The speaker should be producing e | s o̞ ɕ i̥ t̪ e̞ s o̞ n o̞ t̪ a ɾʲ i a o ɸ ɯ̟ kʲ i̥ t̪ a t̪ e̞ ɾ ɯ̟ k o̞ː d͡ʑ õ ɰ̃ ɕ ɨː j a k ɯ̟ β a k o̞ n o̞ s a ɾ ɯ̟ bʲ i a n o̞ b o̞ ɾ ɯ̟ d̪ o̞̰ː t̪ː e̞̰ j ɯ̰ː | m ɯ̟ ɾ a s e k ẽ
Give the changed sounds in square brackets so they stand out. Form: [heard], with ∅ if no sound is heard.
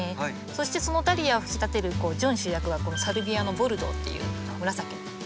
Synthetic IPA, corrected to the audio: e | s o̞ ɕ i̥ t̪ e̞ s o̞ n o̞ t̪ a ɾʲ i a o ɸ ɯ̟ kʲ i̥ t̪ a t̪ e̞ ɾ ɯ̟ k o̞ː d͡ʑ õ ɰ̃ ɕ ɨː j a k ɯ̟ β a k o̞ n o̞ s a ɾ ɯ̟ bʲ i a n o̞ b o̞ ɾ ɯ̟ d̪ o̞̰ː t̪ː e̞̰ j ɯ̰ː | m ɯ̟ ɾ a s [a] k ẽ